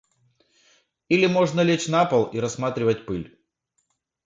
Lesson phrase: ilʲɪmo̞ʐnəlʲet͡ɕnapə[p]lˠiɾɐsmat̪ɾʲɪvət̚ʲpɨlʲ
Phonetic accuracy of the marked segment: incorrect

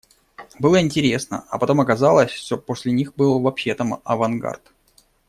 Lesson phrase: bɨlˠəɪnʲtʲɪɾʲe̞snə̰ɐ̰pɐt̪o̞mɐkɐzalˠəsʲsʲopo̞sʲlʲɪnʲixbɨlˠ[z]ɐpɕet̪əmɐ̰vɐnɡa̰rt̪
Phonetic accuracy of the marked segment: incorrect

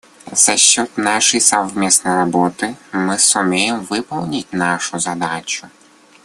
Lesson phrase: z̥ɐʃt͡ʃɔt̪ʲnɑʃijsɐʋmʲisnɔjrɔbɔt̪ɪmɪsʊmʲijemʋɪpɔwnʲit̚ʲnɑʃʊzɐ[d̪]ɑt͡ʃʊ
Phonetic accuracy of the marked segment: correct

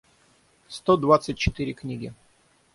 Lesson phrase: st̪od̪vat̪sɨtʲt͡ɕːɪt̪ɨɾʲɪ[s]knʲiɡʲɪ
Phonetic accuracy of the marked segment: incorrect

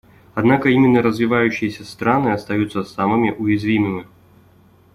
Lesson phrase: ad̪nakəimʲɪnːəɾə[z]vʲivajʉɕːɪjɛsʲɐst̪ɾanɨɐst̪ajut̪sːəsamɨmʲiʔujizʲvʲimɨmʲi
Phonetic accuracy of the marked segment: correct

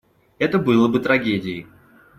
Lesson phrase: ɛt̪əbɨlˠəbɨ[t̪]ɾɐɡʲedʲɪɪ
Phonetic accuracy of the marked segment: correct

